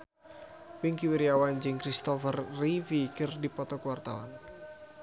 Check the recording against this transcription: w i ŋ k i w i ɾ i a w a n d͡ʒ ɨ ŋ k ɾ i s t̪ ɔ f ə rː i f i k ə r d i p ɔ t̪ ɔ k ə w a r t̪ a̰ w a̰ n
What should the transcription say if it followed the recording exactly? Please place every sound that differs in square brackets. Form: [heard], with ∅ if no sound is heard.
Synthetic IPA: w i ŋ k i w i ɾ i a w a n d͡ʒ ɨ ŋ k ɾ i s t̪ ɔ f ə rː i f i k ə r d i p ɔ t̪ ɔ k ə w a r t̪ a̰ w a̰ n